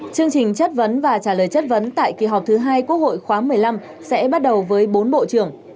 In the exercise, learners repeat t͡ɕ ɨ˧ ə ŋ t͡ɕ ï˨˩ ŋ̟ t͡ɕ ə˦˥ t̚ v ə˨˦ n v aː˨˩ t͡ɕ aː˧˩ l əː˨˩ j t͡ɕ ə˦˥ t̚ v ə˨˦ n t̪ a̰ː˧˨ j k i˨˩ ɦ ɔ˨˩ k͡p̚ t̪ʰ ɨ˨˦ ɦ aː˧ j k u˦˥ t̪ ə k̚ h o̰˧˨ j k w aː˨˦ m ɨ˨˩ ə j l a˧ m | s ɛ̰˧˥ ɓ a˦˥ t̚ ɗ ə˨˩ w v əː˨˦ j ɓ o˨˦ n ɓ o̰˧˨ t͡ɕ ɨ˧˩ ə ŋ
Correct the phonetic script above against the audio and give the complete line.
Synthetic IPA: t͡ɕ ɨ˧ ə ŋ t͡ɕ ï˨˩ ŋ̟ t͡ɕ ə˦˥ t̚ v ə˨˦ n v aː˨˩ t͡ɕ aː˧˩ l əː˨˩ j t͡ɕ ə˦˥ t̚ v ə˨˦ n t̪ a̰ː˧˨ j k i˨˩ ɦ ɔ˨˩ k͡p̚ t̪ʰ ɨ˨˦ ɦ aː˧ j k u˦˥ ə k̚ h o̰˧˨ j x w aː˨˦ m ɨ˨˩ ə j l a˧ m | s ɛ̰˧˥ ɓ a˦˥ t̚ ɗ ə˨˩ w v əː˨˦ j ɓ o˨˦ n ɓ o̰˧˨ t͡ɕ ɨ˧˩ ə ŋ